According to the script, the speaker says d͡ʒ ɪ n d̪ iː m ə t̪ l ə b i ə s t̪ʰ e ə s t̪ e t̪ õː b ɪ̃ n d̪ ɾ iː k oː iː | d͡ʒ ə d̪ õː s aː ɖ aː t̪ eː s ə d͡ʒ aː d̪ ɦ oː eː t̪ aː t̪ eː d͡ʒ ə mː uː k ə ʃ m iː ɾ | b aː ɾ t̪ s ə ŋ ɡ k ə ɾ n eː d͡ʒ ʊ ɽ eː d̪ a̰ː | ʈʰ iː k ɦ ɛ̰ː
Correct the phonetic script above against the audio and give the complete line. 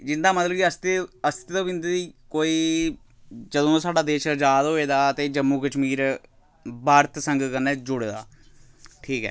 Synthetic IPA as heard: d͡ʒ ɪ n d̪ aː m ə t̪ l ə b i ə s t̪ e ə s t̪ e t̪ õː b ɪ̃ n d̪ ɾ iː k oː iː | d͡ʒ ə d̪ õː s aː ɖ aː d̪ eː ʃ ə d͡ʒ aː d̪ ɦ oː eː d̪ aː t̪ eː d͡ʒ ə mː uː k ə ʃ m iː ɾ | b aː ɾ t̪ s ə ŋ ɡ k ə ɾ n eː d͡ʒ ʊ ɽ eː d̪ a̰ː | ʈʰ iː k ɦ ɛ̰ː